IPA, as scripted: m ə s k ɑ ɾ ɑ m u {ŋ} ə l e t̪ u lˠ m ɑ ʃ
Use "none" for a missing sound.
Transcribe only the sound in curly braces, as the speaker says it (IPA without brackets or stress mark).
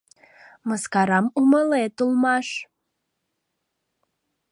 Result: m